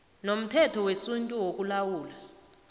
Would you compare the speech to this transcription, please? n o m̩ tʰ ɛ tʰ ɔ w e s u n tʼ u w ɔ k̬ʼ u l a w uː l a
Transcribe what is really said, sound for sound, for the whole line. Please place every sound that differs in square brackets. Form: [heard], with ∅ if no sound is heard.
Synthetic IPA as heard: n o m̩ tʰ ɛ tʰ ɔ w e s u n tʼ u w [o] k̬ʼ u l a w uː l a